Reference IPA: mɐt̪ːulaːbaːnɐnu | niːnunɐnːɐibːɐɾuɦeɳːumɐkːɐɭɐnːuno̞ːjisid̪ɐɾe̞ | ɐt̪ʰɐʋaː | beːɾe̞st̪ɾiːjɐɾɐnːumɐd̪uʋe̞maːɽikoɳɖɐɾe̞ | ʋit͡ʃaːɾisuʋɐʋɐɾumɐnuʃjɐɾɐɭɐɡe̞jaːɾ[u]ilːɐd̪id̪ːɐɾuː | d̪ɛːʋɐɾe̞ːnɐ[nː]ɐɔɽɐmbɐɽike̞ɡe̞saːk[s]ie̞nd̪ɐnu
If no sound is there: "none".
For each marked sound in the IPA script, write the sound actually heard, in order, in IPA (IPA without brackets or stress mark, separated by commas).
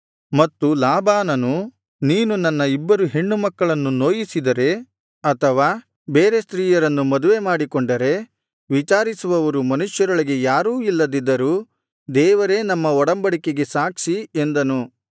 uː, mː, ʂ